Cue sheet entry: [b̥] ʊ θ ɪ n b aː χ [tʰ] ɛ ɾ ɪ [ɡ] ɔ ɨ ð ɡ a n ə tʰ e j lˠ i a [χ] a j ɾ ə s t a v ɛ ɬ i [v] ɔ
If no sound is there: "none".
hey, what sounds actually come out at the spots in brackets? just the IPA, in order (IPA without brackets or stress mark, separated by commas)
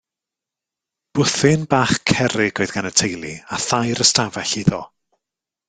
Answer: b̥, kʰ, ɡ, θ, ð